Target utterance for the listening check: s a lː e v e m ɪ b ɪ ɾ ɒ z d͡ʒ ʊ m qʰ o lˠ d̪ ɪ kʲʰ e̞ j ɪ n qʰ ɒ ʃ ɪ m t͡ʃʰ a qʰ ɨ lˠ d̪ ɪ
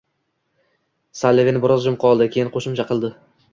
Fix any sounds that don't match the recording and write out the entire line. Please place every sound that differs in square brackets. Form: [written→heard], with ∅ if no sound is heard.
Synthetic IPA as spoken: s a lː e v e [m→n] ɪ b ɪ ɾ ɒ z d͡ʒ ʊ m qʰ [o→ɒ] lˠ d̪ ɪ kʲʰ e̞ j ɪ n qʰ [ɒ→o] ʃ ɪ m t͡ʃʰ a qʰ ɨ lˠ d̪ ɪ